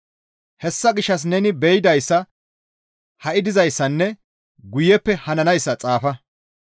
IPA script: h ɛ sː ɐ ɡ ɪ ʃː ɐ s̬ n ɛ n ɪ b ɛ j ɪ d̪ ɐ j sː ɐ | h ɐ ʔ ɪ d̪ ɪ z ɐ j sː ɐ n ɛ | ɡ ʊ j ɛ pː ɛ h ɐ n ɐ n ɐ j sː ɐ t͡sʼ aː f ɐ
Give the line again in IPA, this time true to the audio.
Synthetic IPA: h ɛ sː ɐ ɡ ɪ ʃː ɐ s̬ n ɛ n ɪ b ɛ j ɪ d̪ ɐ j sː ɐ | h ɐ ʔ ɪ d̪ ɪ z ɐ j sː ɐ nː ɛ | ɡ ʊ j ɛ pː ɛ h ɐ n ɐ n ɐ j sː ɐ t͡sʼ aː f ɐ

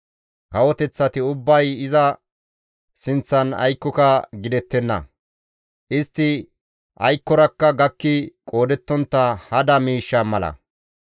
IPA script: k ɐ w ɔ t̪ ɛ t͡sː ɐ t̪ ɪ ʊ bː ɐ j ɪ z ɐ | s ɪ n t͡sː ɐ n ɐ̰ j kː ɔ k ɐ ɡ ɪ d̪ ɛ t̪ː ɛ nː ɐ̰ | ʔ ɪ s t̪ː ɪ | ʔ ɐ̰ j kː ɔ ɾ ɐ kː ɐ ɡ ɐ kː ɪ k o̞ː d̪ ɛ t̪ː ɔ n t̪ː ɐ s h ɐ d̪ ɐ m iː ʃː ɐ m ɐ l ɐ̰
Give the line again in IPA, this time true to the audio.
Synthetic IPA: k ɐ w ɔ t̪ ɛ t͡sː ɐ t̪ ɪ ʊ bː ɐ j ɪ z ɐ | s ɪ n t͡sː ɐ n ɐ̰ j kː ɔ k ɐ ɡ ɪ d̪ ɛ t̪ː ɛ nː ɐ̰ | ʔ ɪ s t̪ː ɪ | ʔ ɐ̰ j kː ɔ ɾ ɐ kː ɐ ɡ ɐ kː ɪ kʼ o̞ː d̪ ɛ t̪ː ɔ n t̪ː ɐ h ɐ d̪ ɐ m iː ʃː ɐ m ɐ l ɐ̰

